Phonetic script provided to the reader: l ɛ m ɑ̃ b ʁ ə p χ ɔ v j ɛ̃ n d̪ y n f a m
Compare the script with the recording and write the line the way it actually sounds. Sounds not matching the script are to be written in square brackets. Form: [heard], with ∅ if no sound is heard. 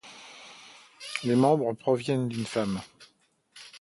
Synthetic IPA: l [e] m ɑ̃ b ʁ ə p χ ɔ v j [ɛ] n d̪ y n f a m

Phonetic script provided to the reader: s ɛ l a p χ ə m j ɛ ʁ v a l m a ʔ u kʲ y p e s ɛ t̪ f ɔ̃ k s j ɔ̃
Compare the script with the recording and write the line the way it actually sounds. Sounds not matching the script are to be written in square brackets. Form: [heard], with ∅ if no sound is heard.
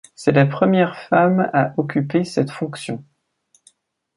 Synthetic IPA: s ɛ l a p χ ə m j ɛ ʁ [f] a [∅] m a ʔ [ɔ] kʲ y p e s ɛ t̪ f ɔ̃ k s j ɔ̃

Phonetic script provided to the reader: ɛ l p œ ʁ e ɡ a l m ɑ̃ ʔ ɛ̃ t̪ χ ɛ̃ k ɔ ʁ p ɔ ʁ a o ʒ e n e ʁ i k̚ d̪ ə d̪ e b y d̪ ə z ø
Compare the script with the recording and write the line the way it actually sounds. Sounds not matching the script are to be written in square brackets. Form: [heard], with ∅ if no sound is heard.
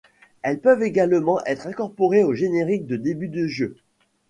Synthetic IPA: ɛ l p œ [v] e ɡ a l m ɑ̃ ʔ [ɛ] t̪ χ ɛ̃ k ɔ ʁ p ɔ ʁ [e] o ʒ e n e ʁ i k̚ d̪ ə d̪ e b y d̪ ə [ʒ] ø

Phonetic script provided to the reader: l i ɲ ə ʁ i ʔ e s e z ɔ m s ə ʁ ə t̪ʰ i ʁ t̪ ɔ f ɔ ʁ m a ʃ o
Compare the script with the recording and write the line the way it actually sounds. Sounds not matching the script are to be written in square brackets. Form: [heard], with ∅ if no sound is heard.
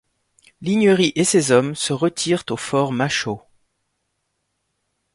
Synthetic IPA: l i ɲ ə ʁ i ʔ e s e z ɔ m s ə ʁ ə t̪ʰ i ʁ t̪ [o] f ɔ ʁ m a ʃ o

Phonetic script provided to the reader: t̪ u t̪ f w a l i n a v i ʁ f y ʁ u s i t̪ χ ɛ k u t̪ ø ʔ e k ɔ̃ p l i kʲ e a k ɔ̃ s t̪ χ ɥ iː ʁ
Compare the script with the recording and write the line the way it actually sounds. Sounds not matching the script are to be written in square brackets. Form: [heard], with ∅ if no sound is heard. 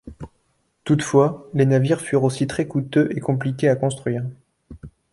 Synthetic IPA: t̪ u t̪ f w a l [e] n a v i ʁ f y ʁ [o] s i t̪ χ ɛ k u t̪ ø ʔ e k ɔ̃ p l i kʲ e a k ɔ̃ s t̪ χ ɥ iː ʁ

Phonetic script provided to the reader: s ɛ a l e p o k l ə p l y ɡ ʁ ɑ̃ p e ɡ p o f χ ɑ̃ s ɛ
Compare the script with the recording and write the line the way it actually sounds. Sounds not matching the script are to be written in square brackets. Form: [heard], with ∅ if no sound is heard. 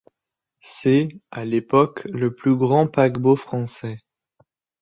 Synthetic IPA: s ɛ a l e p [ɔ] k l ə p l y ɡ ʁ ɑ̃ p [a] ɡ [b] o f χ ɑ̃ s ɛ

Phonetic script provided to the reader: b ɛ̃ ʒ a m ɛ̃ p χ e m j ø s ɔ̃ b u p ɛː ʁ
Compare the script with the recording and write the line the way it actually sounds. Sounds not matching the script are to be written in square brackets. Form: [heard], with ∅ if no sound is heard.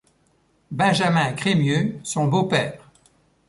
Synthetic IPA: b ɛ̃ ʒ a m ɛ̃ [k] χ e m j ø s ɔ̃ b [o] p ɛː ʁ

